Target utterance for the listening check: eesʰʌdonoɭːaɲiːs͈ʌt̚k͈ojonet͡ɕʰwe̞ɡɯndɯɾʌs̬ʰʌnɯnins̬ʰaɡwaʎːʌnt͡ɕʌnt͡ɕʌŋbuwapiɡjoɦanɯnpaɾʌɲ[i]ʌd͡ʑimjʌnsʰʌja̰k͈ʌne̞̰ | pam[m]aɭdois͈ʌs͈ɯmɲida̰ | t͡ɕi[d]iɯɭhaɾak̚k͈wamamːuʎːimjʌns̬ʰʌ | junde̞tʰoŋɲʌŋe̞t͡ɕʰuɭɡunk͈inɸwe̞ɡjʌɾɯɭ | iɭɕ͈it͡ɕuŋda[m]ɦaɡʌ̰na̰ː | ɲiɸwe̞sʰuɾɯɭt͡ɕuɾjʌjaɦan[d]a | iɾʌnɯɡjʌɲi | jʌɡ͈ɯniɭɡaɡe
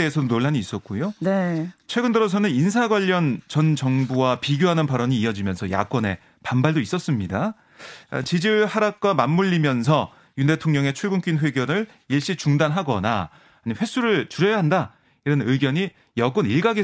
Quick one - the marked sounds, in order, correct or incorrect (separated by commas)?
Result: incorrect, incorrect, incorrect, incorrect, correct